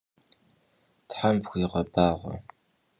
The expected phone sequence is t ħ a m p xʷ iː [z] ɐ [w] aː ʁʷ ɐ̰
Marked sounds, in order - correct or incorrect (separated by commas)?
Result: incorrect, incorrect